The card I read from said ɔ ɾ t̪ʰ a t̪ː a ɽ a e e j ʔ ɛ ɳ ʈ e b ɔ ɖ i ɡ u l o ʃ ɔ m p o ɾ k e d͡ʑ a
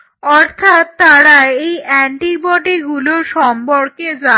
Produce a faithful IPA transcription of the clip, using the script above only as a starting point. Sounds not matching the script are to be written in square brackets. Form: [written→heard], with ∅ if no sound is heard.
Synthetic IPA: ɔ ɾ t̪ʰ a t̪ː a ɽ a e e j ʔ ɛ ɳ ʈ [e→i] b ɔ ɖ i ɡ u l o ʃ ɔ m p o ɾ k e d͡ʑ a